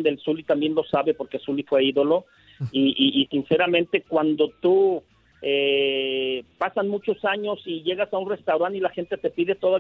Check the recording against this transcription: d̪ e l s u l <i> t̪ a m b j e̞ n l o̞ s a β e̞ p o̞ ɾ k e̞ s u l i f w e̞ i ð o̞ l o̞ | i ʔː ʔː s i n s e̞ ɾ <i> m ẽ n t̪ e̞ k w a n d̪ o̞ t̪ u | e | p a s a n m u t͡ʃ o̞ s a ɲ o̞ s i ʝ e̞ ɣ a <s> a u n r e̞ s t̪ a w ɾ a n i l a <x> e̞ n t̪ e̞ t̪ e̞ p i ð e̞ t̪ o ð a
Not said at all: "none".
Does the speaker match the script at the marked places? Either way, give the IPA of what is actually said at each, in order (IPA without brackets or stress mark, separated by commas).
i, a, s, x